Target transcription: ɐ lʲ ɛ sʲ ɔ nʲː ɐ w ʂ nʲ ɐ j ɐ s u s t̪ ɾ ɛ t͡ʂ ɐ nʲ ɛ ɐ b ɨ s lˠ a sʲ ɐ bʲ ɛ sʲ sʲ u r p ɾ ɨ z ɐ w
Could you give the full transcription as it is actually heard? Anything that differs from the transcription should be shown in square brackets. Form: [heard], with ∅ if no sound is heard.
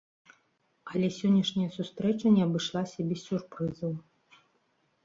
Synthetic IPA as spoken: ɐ lʲ ɛ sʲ ɔ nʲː ɐ [∅] ʂ nʲ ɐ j ɐ s u s t̪ ɾ ɛ t͡ʂ ɐ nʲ ɛ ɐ b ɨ [ʂ] lˠ a sʲ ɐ bʲ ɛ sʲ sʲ u r p ɾ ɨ z ɐ w

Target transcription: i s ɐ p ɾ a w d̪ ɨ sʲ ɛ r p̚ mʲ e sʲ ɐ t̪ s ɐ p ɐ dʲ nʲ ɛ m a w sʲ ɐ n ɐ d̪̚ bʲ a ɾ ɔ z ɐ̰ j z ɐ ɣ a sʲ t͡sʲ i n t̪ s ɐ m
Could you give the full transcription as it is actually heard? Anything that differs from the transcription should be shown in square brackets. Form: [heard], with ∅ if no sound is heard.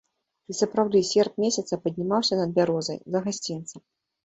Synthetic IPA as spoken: i s ɐ p ɾ a w d̪ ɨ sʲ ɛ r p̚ mʲ e sʲ ɐ t̪ s ɐ p ɐ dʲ nʲ [i] m a w sʲ ɐ n ɐ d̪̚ bʲ a ɾ ɔ z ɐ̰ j z ɐ ɣ a sʲ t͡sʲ i n t̪ s ɐ m

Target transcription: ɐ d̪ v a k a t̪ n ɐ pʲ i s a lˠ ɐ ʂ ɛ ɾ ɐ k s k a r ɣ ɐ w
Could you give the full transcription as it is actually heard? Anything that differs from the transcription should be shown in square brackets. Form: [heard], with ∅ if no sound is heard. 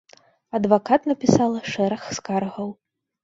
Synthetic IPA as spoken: ɐ d̪ v a k a t̪ n ɐ pʲ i s a lˠ ɐ ʂ ɛ ɾ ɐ [x] s k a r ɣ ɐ w

